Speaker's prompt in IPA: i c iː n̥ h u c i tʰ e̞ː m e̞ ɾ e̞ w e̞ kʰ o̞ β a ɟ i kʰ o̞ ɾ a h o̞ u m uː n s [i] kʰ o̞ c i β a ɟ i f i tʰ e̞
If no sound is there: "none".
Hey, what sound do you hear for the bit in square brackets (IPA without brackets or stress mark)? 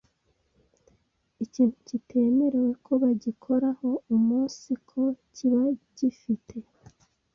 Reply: i